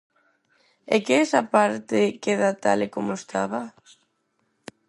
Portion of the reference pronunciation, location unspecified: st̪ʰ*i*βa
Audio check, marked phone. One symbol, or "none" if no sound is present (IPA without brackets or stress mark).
a